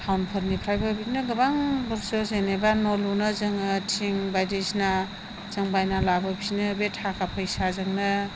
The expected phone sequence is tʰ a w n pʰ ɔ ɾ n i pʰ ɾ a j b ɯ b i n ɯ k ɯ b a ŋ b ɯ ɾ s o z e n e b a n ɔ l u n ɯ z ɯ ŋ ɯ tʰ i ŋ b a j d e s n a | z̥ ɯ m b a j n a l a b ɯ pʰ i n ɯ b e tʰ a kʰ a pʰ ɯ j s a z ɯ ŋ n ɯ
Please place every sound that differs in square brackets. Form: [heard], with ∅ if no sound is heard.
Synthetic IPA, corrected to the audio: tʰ a w n pʰ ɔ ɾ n i pʰ ɾ a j b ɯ b i n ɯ [ɡ] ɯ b a ŋ b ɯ ɾ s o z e n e b a n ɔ l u n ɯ z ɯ ŋ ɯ tʰ i ŋ b a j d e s n a | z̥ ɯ [ŋ] b a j n a l a b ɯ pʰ i n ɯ b e tʰ a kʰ a pʰ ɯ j s a z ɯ ŋ n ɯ